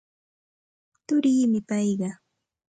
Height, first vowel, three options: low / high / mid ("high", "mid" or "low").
high